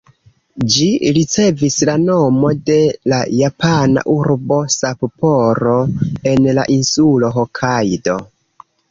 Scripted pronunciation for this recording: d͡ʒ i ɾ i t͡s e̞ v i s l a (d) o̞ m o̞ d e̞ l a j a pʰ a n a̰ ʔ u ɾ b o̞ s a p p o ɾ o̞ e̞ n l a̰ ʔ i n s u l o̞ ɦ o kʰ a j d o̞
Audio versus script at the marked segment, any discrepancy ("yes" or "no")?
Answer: yes